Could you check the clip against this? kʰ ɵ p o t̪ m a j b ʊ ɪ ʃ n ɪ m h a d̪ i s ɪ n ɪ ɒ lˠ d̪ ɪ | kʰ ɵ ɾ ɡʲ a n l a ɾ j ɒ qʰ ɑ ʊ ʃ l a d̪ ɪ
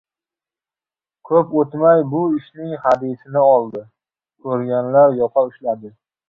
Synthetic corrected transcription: kʰ ɵ p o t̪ m a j b ʊ ɪ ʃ n ɪ ŋ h a d̪ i s ɪ n ɪ ɒ lˠ d̪ ɪ | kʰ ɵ ɾ ɡʲ a n l a ɾ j ɒ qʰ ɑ ʊ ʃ l a d̪ ɪ